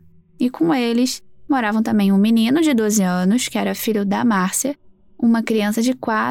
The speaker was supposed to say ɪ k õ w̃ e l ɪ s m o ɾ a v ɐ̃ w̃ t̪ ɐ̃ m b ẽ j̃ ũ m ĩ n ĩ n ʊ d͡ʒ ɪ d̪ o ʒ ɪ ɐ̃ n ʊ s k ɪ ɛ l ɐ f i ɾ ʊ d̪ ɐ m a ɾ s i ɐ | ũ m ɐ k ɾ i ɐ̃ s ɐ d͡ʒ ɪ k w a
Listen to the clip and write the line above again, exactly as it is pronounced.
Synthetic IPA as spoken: ɪ k õ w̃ e l ɪ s m o ɾ a v ɐ̃ w̃ t̪ ɐ̃ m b ẽ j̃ ũ m i n ĩ n ʊ d͡ʒ ɪ d̪ o z ɪ ɐ̃ n ʊ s k ɪ ɛ ɾ ɐ f i ʎ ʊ d̪ ɐ m a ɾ s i ɐ | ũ m ɐ k ɾ i ɐ̃ s ɐ d͡ʒ ɪ k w a